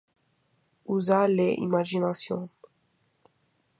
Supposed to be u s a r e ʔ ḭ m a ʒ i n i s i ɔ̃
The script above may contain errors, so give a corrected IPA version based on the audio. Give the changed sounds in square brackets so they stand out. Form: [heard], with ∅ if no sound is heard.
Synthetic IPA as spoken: u [z] a [l] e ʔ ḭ m a ʒ i n [a] s [j] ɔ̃